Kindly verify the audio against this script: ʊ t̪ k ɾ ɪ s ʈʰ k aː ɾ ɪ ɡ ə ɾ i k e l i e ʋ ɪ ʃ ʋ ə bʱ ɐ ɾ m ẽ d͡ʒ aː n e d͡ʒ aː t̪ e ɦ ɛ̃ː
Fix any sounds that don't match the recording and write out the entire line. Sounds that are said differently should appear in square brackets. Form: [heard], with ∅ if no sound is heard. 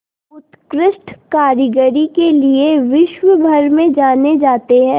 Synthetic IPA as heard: ʊ t̪ k ɾ ɪ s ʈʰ k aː ɾ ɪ ɡ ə ɾ i k e l i e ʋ ɪ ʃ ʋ ə bʱ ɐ ɾ m ẽ d͡ʒ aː n e d͡ʒ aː t̪ e ɦ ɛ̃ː

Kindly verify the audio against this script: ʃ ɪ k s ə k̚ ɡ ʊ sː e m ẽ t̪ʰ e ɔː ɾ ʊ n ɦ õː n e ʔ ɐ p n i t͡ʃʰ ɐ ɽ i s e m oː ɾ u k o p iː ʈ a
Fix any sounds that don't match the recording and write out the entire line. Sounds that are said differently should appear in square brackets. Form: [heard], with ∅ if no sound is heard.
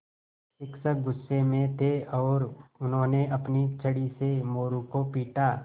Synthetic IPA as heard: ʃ ɪ k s ə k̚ ɡ ʊ sː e m ẽ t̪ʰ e ɔː ɾ ʊ n ɦ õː n e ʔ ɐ p n i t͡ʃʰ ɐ ɽ i s e m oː ɾ u k o p iː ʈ a

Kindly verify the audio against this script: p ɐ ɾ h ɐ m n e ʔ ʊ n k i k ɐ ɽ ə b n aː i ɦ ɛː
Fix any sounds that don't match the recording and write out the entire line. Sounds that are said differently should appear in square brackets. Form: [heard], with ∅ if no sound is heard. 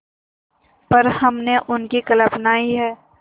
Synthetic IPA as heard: p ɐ ɾ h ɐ m n e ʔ ʊ n k i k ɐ [l] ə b n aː i ɦ ɛː

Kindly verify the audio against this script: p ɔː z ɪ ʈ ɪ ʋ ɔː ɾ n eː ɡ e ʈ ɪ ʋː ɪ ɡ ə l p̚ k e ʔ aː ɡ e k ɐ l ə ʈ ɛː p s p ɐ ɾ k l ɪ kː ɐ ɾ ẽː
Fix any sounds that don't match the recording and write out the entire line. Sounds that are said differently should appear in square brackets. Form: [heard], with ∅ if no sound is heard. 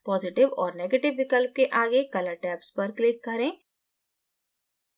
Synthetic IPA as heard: p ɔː z ɪ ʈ ɪ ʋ ɔː ɾ n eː ɡ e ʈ ɪ ʋː ɪ [k] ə l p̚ k e ʔ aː ɡ e k ɐ l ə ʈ ɛː p s p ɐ ɾ k l ɪ kː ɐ ɾ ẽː

